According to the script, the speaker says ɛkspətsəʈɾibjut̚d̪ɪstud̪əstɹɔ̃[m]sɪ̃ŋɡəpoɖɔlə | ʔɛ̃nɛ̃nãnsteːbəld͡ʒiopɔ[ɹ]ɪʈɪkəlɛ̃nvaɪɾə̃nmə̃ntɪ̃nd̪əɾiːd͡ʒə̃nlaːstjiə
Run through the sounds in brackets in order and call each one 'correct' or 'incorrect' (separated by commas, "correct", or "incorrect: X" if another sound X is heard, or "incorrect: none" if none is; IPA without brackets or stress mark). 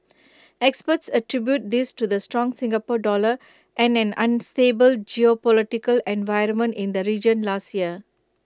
incorrect: ŋ, incorrect: l